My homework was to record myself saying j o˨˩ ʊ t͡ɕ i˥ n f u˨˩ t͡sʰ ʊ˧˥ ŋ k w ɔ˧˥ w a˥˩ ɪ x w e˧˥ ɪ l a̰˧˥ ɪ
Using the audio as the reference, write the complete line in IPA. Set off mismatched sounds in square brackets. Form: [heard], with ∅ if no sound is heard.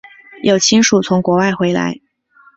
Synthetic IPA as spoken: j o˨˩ ʊ [t͡ɕʰ] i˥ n [ʂ] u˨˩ t͡sʰ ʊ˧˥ ŋ k w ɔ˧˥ w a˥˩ ɪ x w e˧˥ ɪ l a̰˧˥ ɪ